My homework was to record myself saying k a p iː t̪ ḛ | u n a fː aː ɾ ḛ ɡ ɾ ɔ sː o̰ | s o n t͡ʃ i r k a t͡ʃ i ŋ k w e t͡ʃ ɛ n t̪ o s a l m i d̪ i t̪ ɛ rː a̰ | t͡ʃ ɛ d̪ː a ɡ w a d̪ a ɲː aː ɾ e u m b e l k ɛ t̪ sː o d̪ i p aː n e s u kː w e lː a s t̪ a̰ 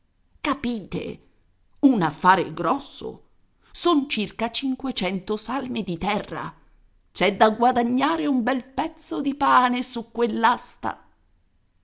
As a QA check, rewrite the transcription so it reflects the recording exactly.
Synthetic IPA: k a p iː t̪ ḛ | u n a fː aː ɾ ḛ ɡ ɾ ɔ sː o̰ | s o n t͡ʃ i r k a t͡ʃ i ŋ k w e t͡ʃ ɛ n t̪ o s a l m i d̪ i t̪ ɛ rː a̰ | t͡ʃ ɛ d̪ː a ɡ w a d̪ a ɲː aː ɾ e u m b ɛ l p ɛ t̪ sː o d̪ i p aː n e s u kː w e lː a s t̪ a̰